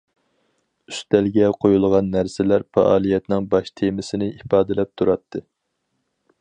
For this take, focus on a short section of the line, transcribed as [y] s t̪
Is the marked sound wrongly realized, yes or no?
no